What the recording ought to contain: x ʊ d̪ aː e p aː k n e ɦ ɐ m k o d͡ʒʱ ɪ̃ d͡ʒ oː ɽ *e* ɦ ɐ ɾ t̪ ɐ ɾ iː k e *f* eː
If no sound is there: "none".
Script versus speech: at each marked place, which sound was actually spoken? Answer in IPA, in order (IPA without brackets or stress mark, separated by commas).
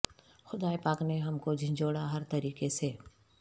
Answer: a, s